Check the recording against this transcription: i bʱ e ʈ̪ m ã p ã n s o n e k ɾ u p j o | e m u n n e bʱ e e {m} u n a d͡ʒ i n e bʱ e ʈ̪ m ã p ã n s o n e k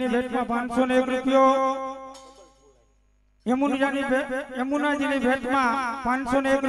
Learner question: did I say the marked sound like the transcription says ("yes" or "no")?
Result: yes